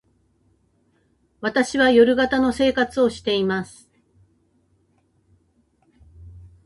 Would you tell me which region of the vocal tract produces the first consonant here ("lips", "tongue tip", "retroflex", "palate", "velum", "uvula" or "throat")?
lips